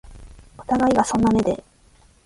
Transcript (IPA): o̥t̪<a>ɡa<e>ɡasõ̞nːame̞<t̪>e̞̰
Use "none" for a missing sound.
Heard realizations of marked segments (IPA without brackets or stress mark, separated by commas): a, i, d̪